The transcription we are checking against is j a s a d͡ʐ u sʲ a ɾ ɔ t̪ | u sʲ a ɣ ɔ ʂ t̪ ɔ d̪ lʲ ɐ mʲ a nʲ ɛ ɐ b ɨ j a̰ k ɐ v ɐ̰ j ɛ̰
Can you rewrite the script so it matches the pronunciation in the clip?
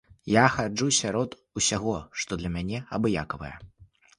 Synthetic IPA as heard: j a x a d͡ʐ u sʲ a ɾ ɔ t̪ | u sʲ a ɣ ɔ ʂ t̪ ɔ d̪ lʲ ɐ mʲ a nʲ ɛ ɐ b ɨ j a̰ k ɐ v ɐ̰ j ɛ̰

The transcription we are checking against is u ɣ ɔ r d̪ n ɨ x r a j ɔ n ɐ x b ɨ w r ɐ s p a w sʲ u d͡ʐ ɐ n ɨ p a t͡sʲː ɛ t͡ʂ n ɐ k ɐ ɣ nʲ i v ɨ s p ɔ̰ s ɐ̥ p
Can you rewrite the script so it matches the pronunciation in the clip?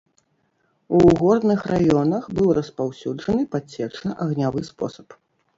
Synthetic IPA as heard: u ɣ ɔ r d̪ n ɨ x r a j ɔ n ɐ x b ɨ w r ɐ s p a w sʲ u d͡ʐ ɐ n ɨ p a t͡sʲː ɛ t͡ʂ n ɐ ʔ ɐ ɣ nʲ a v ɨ s p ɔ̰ s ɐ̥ p

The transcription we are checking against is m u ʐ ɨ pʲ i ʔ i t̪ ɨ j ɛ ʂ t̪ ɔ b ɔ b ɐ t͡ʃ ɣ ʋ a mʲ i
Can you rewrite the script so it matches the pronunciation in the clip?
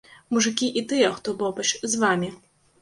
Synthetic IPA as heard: m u ʐ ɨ kʲ i ʔ i t̪ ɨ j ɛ x t̪ ɔ b ɔ b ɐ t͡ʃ z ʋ a mʲ i

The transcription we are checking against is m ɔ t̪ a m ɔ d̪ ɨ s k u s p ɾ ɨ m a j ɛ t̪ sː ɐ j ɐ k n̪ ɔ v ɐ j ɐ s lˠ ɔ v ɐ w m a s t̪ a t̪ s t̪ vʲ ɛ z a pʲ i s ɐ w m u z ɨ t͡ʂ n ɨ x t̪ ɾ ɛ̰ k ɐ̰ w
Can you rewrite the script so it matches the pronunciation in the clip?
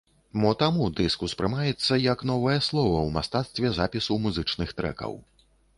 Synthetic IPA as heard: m ɔ t̪ a m u d̪ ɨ s k u s p ɾ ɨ m a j ɛ t̪ sː ɐ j ɐ k n̪ ɔ v ɐ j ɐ s lˠ ɔ v ɐ w m a s t̪ a t̪ s t̪ vʲ ɛ z a pʲ i s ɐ w m u z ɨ t͡ʂ n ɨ x t̪ ɾ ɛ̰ k ɐ̰ w

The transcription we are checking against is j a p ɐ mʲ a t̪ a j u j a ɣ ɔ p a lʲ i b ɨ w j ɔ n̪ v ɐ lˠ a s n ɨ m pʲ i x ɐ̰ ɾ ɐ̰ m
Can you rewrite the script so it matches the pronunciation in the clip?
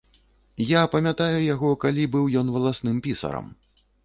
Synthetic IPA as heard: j a p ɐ mʲ a t̪ a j u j a ɣ ɔ k a lʲ i b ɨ w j ɔ n̪ v ɐ lˠ a s n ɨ m pʲ i s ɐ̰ ɾ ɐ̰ m

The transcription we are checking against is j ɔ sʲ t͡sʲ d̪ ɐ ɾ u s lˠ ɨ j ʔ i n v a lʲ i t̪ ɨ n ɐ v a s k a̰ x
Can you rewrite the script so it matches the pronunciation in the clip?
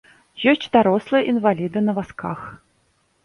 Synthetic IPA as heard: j ɔ sʲ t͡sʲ d̪ a ɾ ɔ s lˠ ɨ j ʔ i n v a lʲ i d̪ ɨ n ɐ v a s k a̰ x

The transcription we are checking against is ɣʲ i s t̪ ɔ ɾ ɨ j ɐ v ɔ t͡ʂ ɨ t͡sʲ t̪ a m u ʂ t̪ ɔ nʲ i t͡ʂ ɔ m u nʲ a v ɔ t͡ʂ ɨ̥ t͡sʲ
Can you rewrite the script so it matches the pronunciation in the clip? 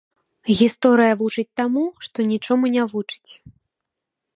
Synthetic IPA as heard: ɣʲ i s t̪ ɔ ɾ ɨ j ɐ v u t͡ʂ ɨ t͡sʲ t̪ a m u ʂ t̪ ɔ nʲ i t͡ʂ ɔ m u nʲ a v u t͡ʂ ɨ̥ t͡sʲ

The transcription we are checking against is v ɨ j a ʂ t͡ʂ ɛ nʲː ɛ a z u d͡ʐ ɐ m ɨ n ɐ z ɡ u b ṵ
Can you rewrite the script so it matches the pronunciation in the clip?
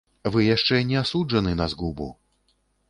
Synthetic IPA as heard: v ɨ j a ʂ t͡ʂ ɛ nʲ ɛ a s u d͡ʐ ɐ n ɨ n ɐ z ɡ u b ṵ

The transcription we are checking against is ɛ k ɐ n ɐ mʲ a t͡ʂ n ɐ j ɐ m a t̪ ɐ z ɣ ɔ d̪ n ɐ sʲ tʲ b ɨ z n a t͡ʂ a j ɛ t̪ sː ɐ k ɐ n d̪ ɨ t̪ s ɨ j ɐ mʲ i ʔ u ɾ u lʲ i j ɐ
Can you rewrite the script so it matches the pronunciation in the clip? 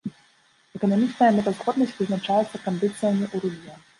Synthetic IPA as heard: ɛ k ɐ n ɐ mʲ i t͡ʂ n ɐ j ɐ m ɛ t̪ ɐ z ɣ ɔ d̪ n ɐ sʲ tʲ v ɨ z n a t͡ʂ a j ɛ t̪ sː ɐ k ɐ n d̪ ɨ t̪ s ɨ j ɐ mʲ i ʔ u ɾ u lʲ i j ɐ

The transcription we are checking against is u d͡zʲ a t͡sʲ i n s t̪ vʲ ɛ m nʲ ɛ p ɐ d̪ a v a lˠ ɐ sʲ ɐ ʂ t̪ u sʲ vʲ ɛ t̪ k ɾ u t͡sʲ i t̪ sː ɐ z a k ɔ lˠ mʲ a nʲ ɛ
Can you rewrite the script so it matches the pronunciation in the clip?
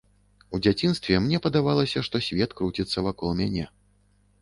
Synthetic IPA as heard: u d͡zʲ a t͡sʲ i n s t̪ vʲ ɛ m nʲ ɛ p ɐ d̪ a v a lˠ ɐ sʲ ɐ ʂ t̪ ɔ sʲ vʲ ɛ t̪ k ɾ u t͡sʲ i t̪ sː ɐ v a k ɔ lˠ mʲ a nʲ ɛ

